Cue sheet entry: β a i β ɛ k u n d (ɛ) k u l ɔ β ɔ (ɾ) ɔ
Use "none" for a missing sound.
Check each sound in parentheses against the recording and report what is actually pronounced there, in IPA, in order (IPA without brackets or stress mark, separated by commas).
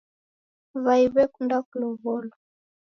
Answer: a, l